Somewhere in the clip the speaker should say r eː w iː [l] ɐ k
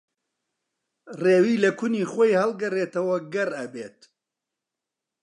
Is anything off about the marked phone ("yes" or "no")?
no